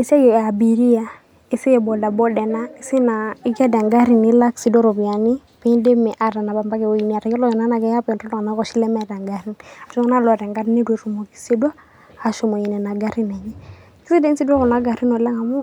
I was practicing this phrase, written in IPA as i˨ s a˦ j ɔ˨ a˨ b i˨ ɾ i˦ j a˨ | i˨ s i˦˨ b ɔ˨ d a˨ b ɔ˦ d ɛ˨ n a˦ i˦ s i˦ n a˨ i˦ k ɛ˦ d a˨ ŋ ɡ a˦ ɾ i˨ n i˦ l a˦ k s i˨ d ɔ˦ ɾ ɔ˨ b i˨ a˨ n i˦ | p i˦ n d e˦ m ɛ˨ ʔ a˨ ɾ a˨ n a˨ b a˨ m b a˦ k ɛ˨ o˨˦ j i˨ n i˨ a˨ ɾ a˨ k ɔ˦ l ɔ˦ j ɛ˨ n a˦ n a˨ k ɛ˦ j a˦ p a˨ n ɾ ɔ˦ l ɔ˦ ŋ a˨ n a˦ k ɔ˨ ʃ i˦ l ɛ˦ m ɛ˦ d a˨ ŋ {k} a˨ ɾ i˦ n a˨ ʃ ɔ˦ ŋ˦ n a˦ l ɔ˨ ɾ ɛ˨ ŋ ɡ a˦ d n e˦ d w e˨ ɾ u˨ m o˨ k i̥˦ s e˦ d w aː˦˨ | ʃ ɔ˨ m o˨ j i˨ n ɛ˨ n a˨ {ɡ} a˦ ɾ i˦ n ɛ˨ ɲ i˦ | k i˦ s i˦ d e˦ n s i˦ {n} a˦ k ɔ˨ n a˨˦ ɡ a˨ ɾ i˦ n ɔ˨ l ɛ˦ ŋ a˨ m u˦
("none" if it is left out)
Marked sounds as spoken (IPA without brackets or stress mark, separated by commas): ɡ, ɡ, d